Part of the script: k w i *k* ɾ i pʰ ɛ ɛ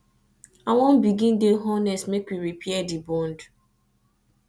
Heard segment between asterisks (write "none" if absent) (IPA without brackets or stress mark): none